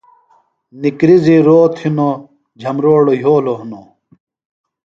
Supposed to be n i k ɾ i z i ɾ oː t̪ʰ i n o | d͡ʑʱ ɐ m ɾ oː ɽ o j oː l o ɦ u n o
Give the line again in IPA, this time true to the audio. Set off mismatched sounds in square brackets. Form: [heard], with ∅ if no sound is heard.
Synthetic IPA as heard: n i k ɾ i z i ɾ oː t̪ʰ i n o | d͡ʑʱ ɐ m ɾ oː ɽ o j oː l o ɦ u n o